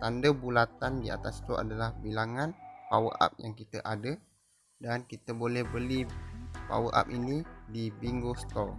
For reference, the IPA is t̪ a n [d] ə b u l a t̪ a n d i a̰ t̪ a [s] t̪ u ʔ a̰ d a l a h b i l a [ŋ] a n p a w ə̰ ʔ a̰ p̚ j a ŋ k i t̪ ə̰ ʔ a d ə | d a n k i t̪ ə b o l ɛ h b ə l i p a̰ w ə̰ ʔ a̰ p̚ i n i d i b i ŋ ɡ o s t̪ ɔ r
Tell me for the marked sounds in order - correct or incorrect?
correct, correct, correct

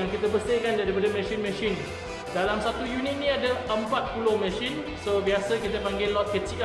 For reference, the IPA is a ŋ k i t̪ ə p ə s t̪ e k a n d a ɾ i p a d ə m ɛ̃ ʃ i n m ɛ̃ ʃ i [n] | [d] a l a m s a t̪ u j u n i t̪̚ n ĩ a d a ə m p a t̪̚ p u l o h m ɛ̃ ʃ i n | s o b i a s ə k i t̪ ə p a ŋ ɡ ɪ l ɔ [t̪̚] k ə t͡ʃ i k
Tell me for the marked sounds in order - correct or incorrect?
correct, correct, correct

